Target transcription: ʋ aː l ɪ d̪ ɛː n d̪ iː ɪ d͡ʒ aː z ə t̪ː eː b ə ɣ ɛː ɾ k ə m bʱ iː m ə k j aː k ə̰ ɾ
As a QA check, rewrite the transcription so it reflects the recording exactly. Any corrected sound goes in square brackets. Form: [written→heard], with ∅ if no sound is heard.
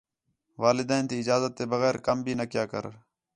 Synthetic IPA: ʋ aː l ɪ d̪ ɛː n [d̪→t̪] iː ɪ d͡ʒ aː z ə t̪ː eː b ə ɣ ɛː ɾ k ə m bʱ iː [m→n] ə k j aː k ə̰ ɾ